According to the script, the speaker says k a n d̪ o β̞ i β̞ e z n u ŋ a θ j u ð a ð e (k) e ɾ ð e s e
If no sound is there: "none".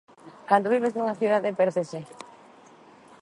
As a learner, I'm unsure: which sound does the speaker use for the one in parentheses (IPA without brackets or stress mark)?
p